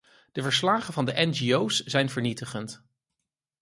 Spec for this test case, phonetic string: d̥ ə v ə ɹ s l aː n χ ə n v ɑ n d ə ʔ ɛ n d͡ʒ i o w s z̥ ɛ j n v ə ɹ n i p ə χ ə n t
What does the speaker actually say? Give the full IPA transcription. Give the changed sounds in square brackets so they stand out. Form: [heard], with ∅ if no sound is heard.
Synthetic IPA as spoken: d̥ ə v ə ɹ s l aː [∅] χ ə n v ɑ n d ə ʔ ɛ n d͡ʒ i o w s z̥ ɛ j n v ə ɹ n i [t] ə χ ə n t